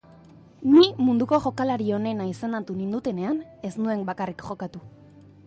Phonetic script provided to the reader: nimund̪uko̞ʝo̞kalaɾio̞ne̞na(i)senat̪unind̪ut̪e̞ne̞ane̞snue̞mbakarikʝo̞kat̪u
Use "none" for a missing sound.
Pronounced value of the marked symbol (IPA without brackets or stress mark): i